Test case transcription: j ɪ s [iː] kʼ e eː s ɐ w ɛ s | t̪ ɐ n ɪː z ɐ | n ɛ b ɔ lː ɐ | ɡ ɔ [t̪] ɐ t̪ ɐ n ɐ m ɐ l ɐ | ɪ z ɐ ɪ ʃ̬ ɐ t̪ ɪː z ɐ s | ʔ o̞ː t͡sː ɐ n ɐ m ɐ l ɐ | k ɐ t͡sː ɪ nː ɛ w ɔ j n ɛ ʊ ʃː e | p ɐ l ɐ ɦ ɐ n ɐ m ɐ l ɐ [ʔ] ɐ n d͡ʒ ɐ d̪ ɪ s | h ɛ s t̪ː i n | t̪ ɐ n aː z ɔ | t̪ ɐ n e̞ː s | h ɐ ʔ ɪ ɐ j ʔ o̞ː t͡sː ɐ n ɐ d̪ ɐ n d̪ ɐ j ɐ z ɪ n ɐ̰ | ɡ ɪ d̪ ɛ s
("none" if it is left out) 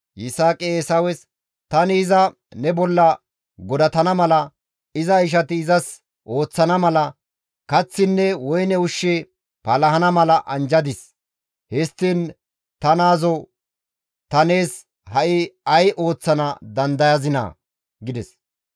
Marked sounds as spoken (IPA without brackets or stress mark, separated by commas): aː, d̪, ʔ